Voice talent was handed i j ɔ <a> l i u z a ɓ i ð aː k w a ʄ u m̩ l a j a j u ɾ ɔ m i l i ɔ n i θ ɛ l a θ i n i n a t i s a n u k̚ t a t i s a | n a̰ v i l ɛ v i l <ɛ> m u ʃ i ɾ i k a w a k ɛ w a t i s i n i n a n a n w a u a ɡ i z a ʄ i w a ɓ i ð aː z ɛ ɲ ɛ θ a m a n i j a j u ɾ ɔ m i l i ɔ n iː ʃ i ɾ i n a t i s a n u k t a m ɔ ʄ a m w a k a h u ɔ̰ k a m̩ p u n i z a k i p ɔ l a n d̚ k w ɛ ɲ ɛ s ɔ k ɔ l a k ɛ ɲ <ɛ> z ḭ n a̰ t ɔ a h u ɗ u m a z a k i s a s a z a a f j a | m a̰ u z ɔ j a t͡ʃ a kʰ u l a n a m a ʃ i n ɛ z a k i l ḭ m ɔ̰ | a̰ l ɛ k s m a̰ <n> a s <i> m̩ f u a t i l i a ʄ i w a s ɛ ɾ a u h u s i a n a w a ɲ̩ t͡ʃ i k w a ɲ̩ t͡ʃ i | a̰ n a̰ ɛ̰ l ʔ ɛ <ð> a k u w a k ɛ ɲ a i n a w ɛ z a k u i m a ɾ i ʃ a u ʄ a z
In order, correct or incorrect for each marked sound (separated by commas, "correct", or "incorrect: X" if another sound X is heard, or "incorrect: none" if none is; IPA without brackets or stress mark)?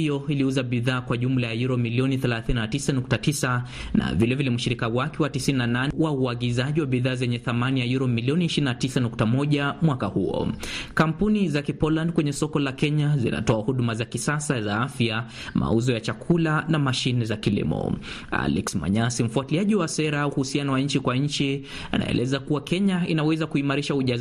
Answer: incorrect: i, correct, incorrect: a, incorrect: ɲ, correct, incorrect: z